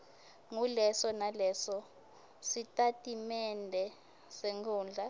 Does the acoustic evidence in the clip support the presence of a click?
no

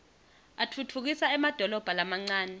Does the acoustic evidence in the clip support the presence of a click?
yes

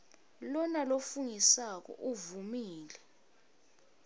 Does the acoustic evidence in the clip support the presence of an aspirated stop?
no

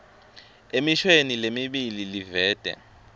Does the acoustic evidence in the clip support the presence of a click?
no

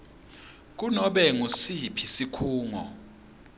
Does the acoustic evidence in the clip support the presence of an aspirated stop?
yes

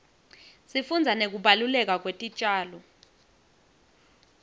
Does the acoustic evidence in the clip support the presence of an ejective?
yes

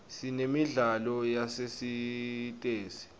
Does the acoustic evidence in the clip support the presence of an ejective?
yes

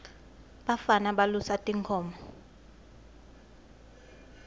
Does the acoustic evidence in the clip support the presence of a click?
no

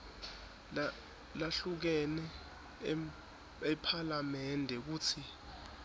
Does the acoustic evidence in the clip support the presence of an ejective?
no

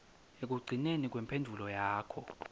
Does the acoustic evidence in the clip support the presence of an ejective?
no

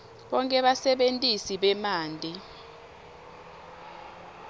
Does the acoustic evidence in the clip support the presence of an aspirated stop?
no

